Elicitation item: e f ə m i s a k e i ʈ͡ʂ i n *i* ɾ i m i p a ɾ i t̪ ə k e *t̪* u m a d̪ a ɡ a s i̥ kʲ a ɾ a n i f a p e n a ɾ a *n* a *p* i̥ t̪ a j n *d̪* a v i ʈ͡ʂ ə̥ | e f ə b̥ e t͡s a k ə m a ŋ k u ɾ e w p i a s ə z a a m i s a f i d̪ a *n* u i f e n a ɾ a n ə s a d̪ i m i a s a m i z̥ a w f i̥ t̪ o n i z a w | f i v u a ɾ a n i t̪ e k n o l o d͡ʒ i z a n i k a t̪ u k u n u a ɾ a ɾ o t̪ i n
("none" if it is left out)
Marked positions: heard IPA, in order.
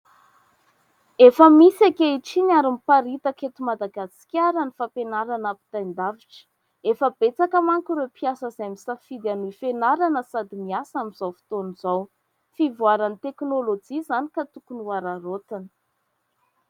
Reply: a, t̪, n, p, d̪, n

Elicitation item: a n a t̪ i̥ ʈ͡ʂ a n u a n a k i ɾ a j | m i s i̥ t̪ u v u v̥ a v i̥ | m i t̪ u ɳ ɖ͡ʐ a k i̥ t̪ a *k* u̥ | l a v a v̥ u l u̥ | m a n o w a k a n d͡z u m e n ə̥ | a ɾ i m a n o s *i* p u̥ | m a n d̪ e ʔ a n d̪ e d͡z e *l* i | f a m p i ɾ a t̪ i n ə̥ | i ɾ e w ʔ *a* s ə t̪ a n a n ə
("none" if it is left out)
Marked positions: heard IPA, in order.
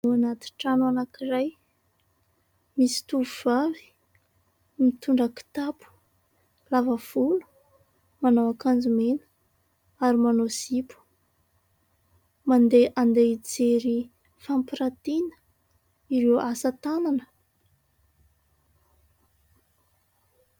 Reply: p, i, ɾ, a

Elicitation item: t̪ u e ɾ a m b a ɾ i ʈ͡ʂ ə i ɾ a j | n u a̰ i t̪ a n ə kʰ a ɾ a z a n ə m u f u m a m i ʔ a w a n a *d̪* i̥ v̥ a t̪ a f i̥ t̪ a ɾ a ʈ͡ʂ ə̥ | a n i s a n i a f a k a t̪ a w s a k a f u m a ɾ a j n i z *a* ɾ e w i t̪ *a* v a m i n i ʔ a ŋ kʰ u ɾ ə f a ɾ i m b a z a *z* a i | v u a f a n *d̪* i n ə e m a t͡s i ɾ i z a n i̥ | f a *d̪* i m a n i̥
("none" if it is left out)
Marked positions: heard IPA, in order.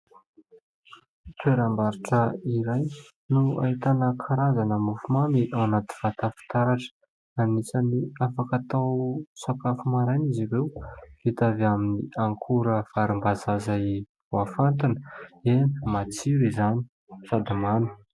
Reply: t̪, i, a, z, t̪, d̪

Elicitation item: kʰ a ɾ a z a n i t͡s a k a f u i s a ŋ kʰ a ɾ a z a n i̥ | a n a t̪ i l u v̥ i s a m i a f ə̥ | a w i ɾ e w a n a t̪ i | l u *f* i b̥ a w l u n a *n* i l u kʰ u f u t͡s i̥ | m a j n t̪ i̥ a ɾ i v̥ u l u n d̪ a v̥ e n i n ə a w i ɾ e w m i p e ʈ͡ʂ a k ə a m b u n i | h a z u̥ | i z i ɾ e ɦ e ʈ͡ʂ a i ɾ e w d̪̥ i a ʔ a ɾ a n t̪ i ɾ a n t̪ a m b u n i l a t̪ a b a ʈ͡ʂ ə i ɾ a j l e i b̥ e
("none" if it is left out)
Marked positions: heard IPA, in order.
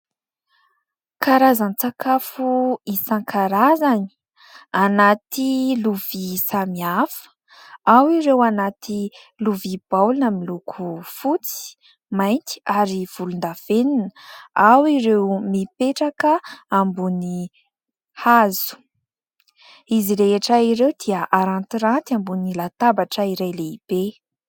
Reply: v, m

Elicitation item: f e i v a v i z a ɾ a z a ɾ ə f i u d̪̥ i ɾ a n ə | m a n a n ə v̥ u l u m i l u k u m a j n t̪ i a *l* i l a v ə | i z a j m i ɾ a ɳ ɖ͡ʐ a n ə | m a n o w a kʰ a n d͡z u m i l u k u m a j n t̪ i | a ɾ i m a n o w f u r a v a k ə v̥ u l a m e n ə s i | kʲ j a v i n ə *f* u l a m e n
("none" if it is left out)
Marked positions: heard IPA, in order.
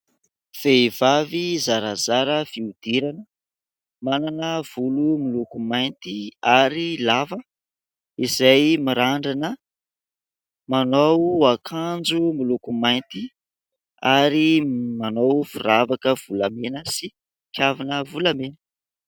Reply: ɾ, v

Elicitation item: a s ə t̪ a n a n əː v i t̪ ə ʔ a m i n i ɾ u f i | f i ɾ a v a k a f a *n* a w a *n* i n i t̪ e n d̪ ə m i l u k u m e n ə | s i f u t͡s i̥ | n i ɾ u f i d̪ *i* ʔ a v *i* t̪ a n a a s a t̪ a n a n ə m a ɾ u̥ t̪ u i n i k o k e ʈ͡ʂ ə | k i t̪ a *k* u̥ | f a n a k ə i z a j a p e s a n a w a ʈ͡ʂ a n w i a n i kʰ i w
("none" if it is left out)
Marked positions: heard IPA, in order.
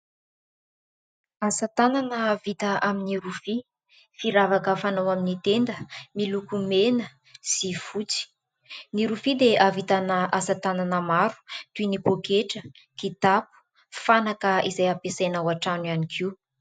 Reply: n, m, e, i, p

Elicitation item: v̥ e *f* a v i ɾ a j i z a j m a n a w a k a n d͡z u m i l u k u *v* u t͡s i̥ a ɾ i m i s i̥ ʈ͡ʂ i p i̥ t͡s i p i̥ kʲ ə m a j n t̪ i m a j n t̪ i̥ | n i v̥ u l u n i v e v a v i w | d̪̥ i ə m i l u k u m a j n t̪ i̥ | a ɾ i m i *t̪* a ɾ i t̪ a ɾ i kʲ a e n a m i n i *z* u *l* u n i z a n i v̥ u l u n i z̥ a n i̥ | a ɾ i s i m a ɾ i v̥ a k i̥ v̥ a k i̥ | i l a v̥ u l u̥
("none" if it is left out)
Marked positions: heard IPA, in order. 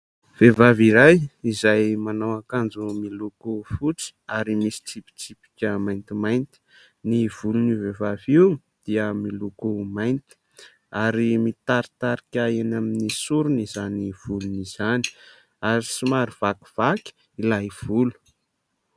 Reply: v, f, t̪, s, ɾ

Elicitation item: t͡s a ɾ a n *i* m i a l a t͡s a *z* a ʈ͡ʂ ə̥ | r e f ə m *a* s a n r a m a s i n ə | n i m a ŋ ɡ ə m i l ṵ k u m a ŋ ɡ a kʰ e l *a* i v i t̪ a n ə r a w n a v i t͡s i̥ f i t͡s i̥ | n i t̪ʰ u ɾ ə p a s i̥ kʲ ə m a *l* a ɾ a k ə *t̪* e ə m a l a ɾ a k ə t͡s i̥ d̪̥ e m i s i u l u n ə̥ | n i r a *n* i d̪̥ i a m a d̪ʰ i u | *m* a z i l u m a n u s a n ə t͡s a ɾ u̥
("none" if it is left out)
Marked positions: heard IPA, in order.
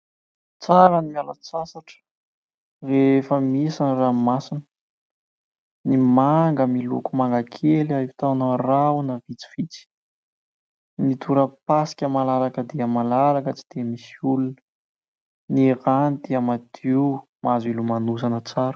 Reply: i, s, i, a, l, d̪, n, m

